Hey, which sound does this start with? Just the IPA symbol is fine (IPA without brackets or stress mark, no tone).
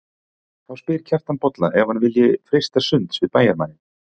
θ